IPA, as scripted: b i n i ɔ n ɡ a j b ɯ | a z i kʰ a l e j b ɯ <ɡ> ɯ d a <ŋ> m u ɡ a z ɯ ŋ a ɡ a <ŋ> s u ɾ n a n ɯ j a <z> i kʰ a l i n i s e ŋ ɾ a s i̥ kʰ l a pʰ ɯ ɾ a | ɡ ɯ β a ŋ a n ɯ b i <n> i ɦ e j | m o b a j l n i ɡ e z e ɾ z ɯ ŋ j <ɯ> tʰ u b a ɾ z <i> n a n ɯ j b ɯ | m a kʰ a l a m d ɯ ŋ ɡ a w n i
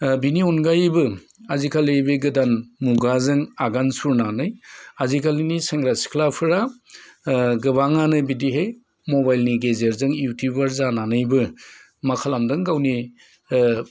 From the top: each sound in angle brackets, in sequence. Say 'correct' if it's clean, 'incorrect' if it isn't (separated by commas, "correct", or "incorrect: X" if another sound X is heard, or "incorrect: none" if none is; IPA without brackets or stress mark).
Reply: correct, incorrect: n, incorrect: n, correct, incorrect: d, incorrect: u, incorrect: a